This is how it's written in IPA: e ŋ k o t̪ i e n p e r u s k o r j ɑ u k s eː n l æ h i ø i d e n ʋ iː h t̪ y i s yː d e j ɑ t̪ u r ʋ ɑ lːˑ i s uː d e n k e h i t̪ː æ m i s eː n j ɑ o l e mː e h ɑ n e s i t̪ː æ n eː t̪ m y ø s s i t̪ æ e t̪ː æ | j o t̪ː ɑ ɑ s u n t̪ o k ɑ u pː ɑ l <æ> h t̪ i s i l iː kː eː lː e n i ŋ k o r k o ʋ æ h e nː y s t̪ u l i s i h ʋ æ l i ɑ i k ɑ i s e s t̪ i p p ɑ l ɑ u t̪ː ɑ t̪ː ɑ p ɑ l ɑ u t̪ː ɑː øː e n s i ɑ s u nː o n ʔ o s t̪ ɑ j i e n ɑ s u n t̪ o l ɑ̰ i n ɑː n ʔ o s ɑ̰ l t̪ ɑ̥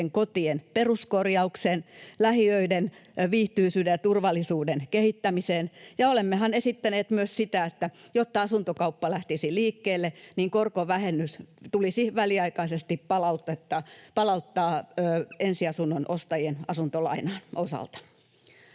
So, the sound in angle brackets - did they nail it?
yes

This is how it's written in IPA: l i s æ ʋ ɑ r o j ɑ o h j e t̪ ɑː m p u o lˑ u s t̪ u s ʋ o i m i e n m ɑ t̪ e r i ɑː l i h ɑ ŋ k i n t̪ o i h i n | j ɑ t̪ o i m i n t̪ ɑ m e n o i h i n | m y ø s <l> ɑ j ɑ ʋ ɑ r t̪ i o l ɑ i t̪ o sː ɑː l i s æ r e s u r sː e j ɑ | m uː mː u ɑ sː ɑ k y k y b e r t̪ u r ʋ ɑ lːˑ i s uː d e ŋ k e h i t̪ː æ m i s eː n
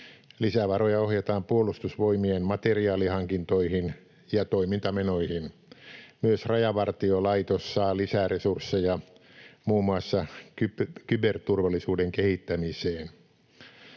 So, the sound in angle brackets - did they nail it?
no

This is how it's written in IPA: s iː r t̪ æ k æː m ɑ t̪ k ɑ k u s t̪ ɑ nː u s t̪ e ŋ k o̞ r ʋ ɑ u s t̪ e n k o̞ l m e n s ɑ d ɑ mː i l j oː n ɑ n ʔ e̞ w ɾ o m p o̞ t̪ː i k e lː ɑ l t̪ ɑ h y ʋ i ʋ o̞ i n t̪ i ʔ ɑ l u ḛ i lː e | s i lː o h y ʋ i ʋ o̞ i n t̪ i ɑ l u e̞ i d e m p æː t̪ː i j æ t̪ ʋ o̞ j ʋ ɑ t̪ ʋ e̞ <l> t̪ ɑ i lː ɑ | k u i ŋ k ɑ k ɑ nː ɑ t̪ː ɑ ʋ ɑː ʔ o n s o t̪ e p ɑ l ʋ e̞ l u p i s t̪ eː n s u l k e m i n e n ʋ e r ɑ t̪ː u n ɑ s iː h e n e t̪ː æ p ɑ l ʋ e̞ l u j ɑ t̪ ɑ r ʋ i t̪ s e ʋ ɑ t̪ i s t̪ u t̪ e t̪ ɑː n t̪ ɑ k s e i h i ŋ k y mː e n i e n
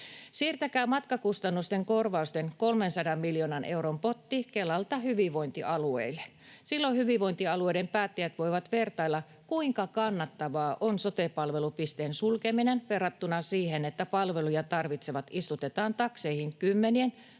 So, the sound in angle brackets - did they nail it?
no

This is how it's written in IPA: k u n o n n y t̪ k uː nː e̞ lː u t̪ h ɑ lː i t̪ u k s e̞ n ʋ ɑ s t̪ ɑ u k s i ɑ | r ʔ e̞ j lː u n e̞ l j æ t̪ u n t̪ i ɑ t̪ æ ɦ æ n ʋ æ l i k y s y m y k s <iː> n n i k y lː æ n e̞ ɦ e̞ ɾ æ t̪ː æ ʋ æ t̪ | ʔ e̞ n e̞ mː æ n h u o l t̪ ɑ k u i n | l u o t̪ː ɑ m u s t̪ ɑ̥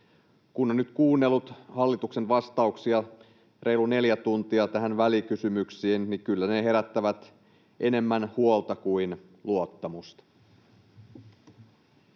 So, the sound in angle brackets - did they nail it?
yes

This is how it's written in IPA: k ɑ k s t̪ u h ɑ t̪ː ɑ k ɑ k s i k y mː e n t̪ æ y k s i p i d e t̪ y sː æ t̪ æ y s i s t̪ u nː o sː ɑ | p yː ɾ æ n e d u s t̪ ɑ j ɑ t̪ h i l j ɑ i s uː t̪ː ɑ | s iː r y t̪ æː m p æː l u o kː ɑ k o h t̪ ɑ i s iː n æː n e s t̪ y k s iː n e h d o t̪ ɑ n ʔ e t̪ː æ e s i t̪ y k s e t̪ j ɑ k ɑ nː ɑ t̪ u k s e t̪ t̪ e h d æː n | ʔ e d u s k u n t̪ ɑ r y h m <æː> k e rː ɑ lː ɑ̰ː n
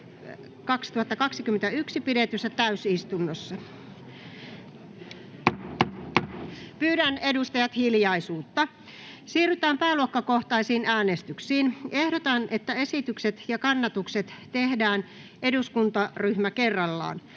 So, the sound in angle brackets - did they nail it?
no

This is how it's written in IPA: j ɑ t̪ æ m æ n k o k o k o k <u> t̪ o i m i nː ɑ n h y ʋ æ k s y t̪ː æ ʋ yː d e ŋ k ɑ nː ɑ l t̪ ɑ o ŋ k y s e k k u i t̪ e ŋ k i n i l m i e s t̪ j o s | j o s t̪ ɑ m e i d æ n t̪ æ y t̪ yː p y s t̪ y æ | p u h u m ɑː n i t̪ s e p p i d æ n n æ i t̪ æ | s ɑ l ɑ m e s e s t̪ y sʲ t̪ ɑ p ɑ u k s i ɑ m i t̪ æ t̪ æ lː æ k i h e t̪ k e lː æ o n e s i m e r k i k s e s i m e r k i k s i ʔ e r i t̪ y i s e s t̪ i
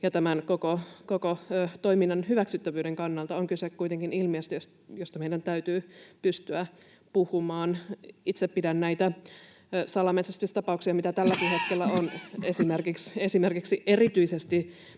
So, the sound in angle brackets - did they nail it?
no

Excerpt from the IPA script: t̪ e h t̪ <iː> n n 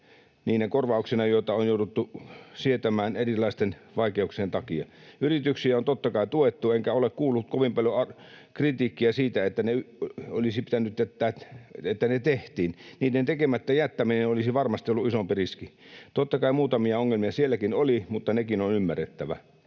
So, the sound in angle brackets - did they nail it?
yes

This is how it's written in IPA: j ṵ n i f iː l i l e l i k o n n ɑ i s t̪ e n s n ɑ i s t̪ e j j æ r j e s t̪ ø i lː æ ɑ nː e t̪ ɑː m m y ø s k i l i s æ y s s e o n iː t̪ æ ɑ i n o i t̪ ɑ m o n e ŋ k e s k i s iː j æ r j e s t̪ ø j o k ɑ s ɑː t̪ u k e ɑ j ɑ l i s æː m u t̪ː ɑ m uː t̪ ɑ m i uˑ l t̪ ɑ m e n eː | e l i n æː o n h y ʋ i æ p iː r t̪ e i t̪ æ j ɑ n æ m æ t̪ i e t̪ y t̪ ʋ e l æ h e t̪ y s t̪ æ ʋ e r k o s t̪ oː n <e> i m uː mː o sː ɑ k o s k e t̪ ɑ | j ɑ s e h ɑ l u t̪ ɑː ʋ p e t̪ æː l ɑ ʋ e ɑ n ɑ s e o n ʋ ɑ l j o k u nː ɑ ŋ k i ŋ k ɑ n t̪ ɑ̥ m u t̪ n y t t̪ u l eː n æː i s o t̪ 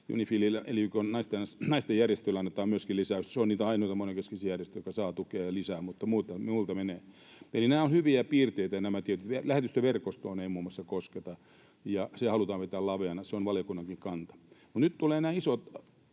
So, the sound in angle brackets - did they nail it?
yes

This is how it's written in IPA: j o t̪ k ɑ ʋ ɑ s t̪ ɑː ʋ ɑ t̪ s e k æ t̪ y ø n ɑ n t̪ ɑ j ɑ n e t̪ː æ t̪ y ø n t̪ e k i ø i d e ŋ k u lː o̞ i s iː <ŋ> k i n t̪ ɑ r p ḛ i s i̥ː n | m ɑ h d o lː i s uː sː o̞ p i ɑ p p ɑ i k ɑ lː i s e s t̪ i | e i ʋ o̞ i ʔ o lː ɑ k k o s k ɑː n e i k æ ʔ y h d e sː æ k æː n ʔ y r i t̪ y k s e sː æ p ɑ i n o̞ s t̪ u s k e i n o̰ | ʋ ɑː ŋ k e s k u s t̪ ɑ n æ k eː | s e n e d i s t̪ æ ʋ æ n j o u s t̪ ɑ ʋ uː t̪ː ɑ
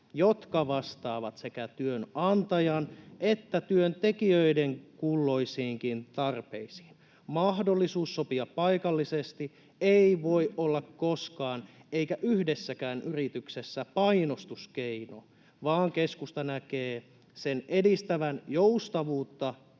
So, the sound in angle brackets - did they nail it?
yes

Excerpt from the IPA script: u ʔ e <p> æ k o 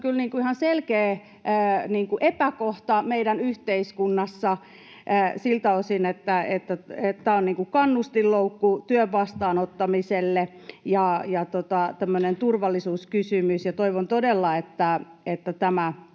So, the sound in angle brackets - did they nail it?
yes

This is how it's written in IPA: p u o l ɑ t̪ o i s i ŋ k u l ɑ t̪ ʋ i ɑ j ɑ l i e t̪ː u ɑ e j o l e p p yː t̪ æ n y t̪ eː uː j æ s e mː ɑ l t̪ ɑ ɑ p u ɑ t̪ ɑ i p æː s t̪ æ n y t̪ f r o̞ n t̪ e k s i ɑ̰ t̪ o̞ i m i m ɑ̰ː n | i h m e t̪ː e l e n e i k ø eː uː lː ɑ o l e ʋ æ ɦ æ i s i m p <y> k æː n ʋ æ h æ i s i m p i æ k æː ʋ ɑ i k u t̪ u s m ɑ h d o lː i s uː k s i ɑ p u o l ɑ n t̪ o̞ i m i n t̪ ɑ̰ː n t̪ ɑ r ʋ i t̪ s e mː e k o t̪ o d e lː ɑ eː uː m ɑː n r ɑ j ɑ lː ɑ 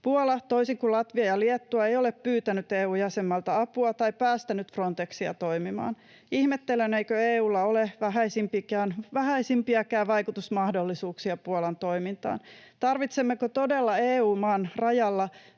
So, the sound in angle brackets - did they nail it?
no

